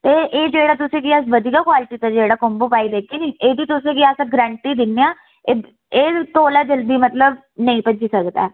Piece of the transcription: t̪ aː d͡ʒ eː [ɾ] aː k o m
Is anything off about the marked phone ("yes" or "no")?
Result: yes